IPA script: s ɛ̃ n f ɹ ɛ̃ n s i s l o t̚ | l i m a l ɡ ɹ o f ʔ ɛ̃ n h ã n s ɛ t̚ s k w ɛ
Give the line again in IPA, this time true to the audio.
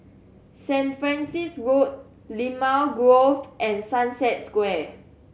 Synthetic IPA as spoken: s ɛ̃ n f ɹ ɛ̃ n s i s ɹ o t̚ | l i m a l ɡ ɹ o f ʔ ɛ̃ n s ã n s ɛ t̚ s k w ɛ